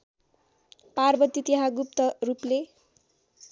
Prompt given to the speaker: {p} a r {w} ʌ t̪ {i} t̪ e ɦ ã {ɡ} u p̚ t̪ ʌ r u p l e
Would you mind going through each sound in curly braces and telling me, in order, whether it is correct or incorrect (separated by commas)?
correct, incorrect, correct, correct